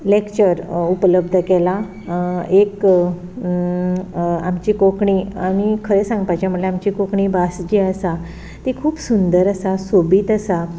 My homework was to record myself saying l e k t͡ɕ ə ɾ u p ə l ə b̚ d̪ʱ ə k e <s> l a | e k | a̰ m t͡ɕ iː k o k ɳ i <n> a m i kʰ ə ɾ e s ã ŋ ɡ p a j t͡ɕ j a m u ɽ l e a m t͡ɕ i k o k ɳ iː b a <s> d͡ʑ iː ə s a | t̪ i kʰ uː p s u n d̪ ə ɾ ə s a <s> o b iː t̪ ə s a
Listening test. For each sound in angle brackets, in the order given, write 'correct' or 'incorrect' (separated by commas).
incorrect, incorrect, correct, correct